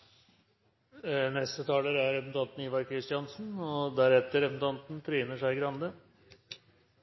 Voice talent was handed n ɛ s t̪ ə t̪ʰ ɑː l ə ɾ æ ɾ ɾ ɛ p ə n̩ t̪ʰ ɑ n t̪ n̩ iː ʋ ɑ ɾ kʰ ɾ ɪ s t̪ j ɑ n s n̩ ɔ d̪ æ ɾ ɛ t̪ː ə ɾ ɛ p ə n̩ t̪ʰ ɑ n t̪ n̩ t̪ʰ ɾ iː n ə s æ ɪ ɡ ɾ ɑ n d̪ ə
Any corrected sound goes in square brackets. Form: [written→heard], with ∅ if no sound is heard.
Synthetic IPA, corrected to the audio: n ɛ s t̪ ə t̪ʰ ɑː l ə ɾ æ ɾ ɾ ɛ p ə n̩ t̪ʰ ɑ n t̪ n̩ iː ʋ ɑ ɾ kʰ ɾ ɪ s t̪ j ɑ n s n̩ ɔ d̪ æ ɾ ɛ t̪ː ə ɾ ɛ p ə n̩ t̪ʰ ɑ n t̪ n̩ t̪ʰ ɾ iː n ə [s→ʂ] æ ɪ ɡ ɾ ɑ n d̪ ə